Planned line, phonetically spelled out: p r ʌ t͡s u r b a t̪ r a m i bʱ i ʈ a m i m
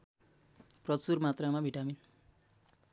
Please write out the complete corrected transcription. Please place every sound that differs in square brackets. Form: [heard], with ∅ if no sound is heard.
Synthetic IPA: p r ʌ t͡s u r [m] a t̪ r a m [a] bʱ i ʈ a m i [n]